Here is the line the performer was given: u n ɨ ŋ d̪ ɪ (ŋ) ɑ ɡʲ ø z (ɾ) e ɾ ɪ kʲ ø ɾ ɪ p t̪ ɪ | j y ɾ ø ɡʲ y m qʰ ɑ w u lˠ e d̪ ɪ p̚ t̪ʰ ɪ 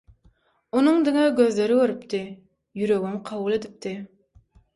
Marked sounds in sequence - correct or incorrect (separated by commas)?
correct, incorrect